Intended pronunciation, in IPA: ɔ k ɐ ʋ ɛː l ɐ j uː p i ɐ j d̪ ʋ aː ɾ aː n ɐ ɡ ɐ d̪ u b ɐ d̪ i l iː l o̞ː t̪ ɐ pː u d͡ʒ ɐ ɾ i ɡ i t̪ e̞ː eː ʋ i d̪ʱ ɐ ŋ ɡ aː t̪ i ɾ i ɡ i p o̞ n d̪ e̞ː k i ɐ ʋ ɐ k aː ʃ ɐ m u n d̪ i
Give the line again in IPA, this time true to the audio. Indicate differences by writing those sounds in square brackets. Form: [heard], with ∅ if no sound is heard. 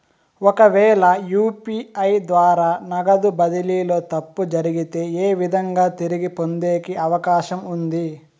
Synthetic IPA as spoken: ɔ k ɐ ʋ ɛː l ɐ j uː p i ɐ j d̪ ʋ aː ɾ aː n ɐ ɡ ɐ d̪ u b ɐ d̪ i l iː l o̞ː t̪ ɐ pː u d͡ʒ ɐ ɾ i ɡ i t̪ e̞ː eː ʋ i d̪ʱ ɐ ŋ ɡ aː t̪ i ɾ i ɡ i p o̞ n d̪ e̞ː k i ɐ ʋ ɐ k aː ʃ ɐ m u n d̪ i